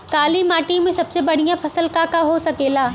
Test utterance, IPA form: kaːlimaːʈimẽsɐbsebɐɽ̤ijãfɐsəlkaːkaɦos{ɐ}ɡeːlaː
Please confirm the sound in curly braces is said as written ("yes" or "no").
yes